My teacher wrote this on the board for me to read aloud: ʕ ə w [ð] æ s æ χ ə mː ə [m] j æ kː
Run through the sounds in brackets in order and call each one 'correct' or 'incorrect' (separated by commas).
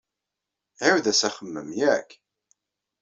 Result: correct, correct